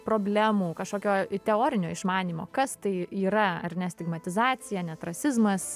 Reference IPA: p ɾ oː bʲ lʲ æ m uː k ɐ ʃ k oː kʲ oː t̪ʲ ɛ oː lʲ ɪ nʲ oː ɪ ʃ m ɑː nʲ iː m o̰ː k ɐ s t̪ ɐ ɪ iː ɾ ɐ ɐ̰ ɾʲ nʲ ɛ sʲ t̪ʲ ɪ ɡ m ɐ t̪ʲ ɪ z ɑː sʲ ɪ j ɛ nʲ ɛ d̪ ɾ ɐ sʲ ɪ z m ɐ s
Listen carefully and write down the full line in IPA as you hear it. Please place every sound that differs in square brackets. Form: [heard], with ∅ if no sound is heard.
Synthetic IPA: p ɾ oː bʲ lʲ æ m uː k ɐ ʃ k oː kʲ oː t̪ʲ ɛ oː [ɾʲ] ɪ nʲ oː ɪ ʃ m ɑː nʲ iː m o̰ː k ɐ s t̪ ɐ ɪ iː ɾ ɐ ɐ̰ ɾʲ nʲ ɛ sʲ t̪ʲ ɪ ɡ m ɐ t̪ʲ ɪ z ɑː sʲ ɪ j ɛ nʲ ɛ [t̪] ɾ ɐ sʲ ɪ z m ɐ s